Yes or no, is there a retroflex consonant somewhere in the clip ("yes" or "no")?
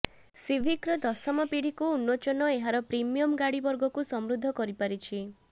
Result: yes